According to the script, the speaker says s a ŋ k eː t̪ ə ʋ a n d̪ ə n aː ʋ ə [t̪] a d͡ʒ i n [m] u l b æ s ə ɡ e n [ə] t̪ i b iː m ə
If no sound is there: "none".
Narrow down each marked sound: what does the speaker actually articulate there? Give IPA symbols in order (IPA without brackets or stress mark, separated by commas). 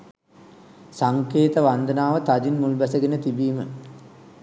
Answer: t̪, m, ə